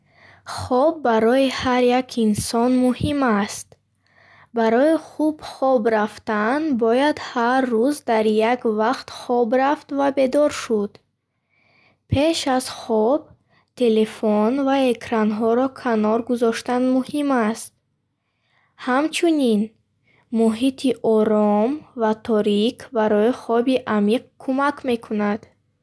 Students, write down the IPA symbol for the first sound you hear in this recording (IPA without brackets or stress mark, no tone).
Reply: χ